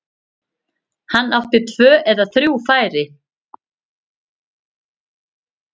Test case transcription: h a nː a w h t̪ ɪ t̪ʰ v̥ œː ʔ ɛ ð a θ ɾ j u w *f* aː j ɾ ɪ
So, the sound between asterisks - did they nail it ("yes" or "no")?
yes